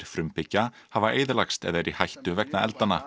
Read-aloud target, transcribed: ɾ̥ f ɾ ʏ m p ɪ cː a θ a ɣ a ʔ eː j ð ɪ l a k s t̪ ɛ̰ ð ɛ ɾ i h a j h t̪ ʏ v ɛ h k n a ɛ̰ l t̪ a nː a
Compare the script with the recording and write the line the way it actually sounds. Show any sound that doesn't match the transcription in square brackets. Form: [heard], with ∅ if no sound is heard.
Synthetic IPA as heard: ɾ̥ f ɾ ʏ m p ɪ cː a [h] a [v] a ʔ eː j ð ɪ l a k s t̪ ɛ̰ ð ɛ ɾ i h a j h t̪ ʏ v ɛ [∅] k n a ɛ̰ l t̪ a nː a